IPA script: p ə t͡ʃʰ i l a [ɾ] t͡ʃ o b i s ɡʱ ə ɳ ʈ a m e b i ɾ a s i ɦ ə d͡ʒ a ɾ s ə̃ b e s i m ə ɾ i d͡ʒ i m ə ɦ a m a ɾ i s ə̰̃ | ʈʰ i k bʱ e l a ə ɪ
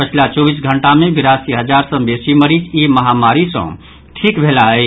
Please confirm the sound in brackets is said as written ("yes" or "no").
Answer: no